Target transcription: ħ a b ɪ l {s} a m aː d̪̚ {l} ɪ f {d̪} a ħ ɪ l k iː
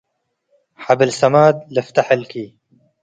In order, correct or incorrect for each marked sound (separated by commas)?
correct, correct, incorrect